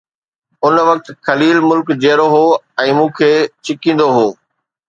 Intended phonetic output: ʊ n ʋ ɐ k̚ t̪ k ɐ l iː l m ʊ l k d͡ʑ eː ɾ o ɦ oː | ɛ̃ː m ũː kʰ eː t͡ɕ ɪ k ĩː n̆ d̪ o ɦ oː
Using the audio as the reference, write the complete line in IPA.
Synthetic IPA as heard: ʊ n ʋ ɐ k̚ t̪ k ɐ l iː l m ʊ l k d͡ʑ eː ɾ o ɦ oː | ɛ̃ː m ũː kʰ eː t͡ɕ ɪ k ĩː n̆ d̪ o ɦ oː